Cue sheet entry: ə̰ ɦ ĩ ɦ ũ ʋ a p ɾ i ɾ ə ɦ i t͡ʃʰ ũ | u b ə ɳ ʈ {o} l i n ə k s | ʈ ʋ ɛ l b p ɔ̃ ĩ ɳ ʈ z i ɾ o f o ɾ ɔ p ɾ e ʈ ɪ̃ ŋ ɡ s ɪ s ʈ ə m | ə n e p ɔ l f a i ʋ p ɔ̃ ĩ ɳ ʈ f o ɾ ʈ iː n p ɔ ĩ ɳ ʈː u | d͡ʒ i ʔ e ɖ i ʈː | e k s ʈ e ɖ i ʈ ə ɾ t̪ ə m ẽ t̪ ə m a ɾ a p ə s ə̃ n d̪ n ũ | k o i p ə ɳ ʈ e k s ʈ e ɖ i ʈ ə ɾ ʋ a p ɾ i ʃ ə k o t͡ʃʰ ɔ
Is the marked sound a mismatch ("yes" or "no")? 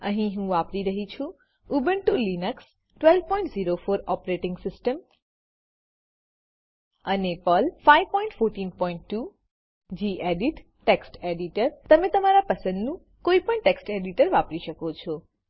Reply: yes